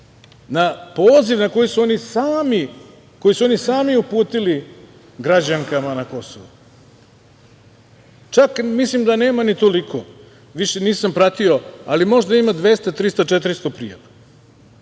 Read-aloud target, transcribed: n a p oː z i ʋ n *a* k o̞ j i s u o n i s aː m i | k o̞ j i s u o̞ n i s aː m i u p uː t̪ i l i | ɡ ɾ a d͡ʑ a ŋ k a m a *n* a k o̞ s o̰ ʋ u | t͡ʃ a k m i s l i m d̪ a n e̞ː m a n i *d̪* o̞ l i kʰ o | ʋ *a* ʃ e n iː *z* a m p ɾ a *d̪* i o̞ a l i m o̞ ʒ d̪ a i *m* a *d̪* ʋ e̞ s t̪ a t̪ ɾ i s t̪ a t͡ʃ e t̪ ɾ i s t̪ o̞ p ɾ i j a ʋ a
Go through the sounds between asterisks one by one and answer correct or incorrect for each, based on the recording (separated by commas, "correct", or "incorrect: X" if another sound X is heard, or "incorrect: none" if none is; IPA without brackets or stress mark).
correct, correct, incorrect: t̪, incorrect: i, incorrect: s, incorrect: t̪, correct, correct